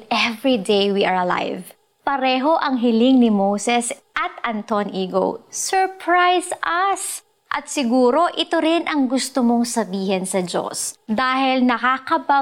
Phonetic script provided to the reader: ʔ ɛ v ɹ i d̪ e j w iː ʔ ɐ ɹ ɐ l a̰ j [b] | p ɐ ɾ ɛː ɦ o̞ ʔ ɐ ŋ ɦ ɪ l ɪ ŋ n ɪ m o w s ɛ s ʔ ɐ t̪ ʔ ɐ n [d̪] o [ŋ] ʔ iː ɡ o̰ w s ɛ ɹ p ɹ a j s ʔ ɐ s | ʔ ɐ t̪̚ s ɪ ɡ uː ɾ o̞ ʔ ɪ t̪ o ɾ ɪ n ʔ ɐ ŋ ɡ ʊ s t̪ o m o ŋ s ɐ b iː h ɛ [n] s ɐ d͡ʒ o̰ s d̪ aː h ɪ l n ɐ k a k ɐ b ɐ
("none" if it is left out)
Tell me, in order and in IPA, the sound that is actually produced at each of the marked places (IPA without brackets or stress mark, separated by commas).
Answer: v, t̪, n, n